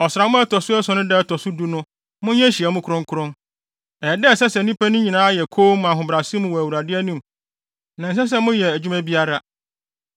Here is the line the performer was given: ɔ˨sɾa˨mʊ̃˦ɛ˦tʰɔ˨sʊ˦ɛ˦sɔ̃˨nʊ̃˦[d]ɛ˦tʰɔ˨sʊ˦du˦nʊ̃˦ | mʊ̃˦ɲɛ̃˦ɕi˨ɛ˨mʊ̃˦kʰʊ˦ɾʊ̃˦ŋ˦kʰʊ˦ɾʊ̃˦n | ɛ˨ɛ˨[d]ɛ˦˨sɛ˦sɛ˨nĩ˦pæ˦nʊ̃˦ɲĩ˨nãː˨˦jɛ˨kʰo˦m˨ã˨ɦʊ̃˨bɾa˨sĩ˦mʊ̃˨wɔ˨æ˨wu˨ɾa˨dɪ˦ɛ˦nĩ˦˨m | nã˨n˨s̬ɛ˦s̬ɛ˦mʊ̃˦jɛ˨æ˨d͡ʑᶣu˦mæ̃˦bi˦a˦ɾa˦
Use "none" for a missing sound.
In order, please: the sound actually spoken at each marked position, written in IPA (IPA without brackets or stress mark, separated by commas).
d, d